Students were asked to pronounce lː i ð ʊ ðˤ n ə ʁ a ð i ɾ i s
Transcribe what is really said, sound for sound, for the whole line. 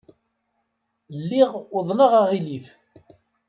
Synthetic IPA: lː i ʁ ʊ ðˤ n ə ʁ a ʁ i l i f